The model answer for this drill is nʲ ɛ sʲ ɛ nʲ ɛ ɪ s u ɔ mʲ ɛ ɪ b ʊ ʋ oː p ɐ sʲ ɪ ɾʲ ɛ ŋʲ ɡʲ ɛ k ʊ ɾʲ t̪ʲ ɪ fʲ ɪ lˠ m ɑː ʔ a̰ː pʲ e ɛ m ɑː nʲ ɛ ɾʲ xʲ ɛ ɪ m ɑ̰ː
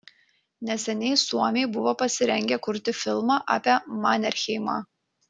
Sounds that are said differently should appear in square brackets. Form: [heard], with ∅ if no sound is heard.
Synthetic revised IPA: nʲ ɛ sʲ ɛ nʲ ɛ ɪ s u ɔ mʲ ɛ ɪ b ʊ ʋ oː p ɐ sʲ ɪ ɾʲ ɛ ŋʲ ɡʲ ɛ k ʊ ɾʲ t̪ʲ ɪ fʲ ɪ lˠ m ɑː ʔ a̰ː pʲ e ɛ m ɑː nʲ ɛ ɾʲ xʲ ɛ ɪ m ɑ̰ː